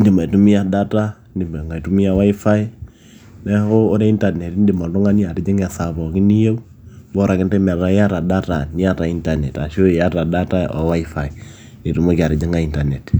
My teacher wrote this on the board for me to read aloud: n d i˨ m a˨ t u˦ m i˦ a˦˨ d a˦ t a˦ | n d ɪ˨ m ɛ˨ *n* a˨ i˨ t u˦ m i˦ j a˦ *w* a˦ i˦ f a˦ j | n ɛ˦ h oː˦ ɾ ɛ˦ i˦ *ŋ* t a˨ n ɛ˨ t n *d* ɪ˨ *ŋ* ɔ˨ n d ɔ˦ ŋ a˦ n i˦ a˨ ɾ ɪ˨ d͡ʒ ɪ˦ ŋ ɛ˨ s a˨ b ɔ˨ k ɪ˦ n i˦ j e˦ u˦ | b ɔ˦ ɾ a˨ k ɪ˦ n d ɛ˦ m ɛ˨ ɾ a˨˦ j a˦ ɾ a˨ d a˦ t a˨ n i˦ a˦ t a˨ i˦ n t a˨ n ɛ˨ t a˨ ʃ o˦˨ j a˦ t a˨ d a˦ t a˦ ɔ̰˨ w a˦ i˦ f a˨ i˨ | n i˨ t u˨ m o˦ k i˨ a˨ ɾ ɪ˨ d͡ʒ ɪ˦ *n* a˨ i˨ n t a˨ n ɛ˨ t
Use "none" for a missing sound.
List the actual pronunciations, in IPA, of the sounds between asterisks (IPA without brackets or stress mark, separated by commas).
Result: ŋ, w, n, d, m, ŋ